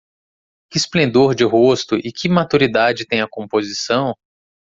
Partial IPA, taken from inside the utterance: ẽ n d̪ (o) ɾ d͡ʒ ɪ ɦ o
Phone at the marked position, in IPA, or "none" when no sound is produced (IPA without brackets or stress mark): o